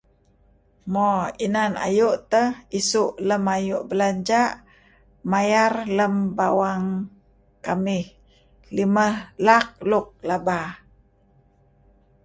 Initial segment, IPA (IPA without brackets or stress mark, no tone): m